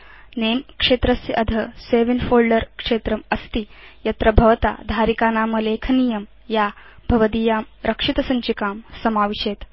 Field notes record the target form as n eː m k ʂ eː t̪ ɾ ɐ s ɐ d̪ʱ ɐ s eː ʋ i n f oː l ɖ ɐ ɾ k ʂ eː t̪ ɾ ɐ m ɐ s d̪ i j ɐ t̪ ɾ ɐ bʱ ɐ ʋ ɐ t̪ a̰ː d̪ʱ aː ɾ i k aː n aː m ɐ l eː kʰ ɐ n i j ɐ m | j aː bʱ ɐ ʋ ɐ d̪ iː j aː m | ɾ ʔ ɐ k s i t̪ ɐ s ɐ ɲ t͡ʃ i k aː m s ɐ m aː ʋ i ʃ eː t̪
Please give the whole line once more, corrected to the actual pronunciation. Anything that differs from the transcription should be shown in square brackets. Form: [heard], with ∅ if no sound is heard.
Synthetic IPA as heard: n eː m k ʂ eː t̪ ɾ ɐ s ɐ d̪ʱ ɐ s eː ʋ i n f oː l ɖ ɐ ɾ k ʂ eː t̪ ɾ ɐ m ɐ s [t̪] i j ɐ t̪ ɾ ɐ bʱ ɐ ʋ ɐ t̪ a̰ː d̪ʱ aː ɾ i k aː n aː m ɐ l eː kʰ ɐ n i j ɐ m | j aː bʱ ɐ ʋ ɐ d̪ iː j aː m | ɾ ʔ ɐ k [ʂ] i t̪ ɐ s ɐ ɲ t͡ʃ i k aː m s ɐ m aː ʋ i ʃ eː t̪